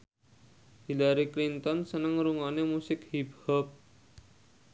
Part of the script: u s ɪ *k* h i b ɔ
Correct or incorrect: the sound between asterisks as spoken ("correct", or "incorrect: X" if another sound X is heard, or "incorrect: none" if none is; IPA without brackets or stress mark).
correct